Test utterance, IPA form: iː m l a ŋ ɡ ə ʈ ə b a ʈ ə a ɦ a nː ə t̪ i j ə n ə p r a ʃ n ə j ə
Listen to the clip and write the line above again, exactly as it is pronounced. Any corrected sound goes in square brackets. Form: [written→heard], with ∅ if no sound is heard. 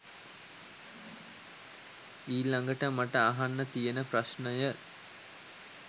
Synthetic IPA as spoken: iː [m→∅] l a ŋ ɡ ə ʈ ə [b→m] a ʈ ə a ɦ a nː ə t̪ i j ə n ə p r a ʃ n ə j ə